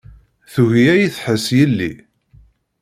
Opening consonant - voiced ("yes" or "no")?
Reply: no